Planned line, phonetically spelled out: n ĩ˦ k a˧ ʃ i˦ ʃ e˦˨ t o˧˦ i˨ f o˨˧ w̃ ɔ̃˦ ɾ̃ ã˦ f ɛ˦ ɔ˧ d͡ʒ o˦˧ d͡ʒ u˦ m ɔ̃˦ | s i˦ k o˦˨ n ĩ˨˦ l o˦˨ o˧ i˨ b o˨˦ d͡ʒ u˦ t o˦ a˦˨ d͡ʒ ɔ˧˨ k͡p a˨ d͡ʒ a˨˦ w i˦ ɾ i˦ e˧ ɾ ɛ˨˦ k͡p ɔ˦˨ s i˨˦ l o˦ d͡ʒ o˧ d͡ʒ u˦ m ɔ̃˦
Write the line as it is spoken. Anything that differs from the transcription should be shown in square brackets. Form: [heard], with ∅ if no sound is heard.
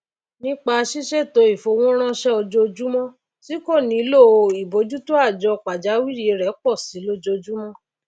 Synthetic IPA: n ĩ˦ [k͡p] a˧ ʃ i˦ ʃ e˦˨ t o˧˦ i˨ f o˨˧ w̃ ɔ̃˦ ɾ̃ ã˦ [ʃ] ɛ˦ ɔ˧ d͡ʒ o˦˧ d͡ʒ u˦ m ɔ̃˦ | s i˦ k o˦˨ n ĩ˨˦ l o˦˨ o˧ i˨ b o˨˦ d͡ʒ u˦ t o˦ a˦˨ d͡ʒ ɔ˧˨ k͡p a˨ d͡ʒ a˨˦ w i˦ ɾ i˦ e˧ ɾ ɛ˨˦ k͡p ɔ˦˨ s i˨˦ l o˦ d͡ʒ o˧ d͡ʒ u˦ m ɔ̃˦